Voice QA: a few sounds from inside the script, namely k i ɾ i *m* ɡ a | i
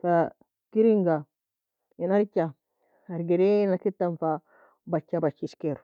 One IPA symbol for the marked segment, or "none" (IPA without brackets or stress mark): ŋ